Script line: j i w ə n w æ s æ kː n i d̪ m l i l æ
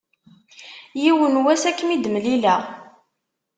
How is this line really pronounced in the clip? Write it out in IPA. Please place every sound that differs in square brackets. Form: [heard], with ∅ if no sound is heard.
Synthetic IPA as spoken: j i w ə n w æ s æ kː [m] i d̪ m l i l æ

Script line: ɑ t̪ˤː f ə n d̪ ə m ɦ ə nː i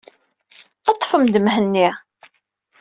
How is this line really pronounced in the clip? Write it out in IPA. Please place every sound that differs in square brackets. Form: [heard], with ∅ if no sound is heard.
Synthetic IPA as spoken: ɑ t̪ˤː f ə [m] d̪ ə m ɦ ə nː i

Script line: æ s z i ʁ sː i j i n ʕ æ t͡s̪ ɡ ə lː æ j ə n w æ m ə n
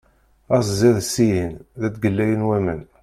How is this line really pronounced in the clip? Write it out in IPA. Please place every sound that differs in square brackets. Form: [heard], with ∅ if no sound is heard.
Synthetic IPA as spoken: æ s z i [ð] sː i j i n [ð] æ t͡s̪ ɡ ə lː æ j ə n w æ m ə n

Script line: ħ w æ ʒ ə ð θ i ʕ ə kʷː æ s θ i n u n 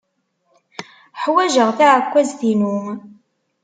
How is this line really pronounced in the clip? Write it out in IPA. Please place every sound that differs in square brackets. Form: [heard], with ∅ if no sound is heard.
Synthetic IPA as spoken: ħ w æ ʒ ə [ʁ] θ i ʕ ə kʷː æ [z] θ i n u [m]

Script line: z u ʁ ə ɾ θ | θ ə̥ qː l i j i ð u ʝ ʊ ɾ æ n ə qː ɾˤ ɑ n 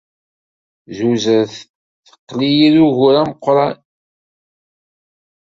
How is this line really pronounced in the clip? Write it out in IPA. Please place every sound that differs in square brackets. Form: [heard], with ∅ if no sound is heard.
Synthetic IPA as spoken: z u [z] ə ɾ θ | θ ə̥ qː l i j i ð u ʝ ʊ ɾ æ [m] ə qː ɾˤ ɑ n

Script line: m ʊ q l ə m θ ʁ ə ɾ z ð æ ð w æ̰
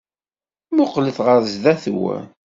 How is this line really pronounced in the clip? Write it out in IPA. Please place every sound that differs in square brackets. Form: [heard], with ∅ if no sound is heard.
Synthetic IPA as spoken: m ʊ q l ə [∅] θ ʁ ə ɾ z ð æ [θ] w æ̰

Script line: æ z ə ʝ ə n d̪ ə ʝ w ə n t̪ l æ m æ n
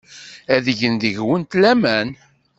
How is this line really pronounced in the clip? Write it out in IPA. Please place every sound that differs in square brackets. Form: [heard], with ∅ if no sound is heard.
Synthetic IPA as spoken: æ [ð] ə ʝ ə n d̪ ə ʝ w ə n t̪ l æ m æ n

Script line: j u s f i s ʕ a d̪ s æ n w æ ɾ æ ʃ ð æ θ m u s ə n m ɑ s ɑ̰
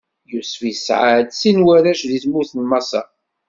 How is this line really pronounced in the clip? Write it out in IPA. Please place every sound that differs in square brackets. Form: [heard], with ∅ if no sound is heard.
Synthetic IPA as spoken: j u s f i s ʕ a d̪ s [i] n w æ ɾ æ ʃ ð [i] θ m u [θ] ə n m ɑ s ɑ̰

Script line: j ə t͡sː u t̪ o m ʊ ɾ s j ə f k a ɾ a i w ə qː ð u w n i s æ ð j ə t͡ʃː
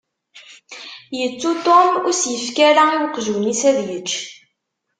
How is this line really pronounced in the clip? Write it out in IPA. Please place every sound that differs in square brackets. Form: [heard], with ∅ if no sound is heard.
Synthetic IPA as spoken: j ə t͡sː u t̪ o m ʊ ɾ s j ə f k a ɾ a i w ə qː [ʒ] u w n i s æ ð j ə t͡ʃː

